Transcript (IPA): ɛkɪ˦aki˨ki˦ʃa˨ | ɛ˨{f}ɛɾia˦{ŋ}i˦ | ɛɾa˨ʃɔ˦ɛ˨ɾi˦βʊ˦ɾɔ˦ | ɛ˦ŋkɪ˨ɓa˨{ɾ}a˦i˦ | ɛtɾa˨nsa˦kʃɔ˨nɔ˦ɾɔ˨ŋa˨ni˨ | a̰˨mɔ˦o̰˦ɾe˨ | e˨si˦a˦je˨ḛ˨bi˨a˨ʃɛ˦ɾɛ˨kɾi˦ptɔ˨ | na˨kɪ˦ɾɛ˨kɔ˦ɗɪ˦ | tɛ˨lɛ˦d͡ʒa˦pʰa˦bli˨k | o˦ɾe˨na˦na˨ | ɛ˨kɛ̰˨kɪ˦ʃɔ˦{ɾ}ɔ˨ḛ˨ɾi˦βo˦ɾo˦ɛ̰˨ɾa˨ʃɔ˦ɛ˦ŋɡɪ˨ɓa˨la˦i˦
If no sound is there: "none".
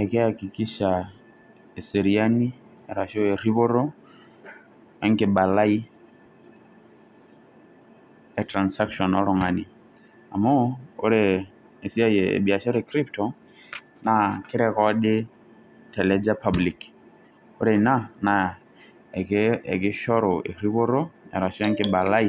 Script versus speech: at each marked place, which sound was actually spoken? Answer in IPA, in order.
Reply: s, n, l, ɾ

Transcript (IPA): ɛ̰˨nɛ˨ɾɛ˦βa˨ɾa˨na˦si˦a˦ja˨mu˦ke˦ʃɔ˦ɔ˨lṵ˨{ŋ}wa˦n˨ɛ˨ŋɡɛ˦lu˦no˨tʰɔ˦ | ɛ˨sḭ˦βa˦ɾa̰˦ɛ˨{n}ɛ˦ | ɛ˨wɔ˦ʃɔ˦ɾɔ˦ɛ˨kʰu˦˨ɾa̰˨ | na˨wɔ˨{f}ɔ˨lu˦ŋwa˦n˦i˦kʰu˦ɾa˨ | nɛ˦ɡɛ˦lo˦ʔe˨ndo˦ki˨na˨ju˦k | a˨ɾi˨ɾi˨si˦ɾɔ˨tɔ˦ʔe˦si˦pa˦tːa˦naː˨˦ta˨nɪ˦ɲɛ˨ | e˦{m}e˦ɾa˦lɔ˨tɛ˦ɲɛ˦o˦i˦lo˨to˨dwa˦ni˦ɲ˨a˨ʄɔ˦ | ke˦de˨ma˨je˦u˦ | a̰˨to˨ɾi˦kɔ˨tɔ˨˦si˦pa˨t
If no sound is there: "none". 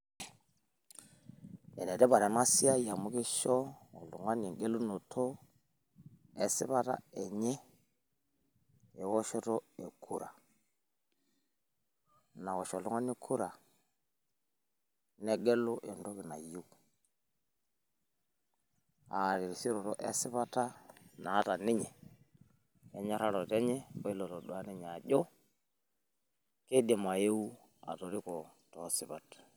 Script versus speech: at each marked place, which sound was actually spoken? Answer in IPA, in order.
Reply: ŋ, ɲ, ʃ, ɲ

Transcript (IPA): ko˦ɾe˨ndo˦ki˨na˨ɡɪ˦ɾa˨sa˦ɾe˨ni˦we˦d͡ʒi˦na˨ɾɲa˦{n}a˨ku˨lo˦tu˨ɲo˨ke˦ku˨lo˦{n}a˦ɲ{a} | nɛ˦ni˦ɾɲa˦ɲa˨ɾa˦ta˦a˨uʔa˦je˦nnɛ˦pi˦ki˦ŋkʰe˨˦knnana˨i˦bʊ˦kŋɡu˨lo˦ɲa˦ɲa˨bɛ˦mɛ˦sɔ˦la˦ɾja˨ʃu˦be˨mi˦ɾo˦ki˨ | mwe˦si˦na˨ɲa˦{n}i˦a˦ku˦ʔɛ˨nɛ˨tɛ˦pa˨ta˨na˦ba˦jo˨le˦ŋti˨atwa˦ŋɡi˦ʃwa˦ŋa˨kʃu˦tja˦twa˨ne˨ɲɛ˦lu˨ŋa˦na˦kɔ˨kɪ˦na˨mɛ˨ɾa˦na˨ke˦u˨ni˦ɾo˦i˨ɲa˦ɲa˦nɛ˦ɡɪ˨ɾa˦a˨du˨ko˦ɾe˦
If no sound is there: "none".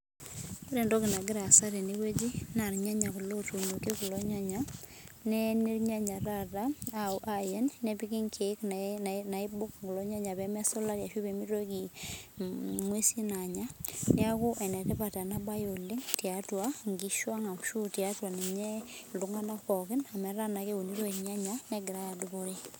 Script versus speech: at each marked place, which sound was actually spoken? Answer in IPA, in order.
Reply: ɲ, ɲ, a, n

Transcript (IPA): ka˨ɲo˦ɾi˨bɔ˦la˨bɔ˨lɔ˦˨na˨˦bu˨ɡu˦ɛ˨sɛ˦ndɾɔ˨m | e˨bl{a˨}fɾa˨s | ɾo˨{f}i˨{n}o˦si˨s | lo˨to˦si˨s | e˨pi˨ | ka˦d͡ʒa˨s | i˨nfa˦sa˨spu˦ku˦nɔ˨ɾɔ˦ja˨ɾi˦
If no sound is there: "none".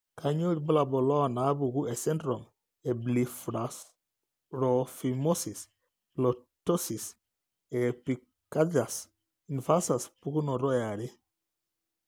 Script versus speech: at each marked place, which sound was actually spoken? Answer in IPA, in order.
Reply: i˨, f, m

